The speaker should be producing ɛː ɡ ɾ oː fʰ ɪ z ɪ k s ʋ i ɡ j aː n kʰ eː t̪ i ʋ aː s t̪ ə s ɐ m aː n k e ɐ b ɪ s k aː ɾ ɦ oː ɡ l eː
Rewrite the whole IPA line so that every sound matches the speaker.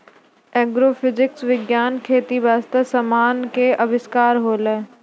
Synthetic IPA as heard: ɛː ɡ ɾ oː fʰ ɪ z ɪ k s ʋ ɪ ɡ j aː n kʰ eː t̪ i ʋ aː s t̪ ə s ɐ m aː n k e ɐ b ɪ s k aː ɾ ɦ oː l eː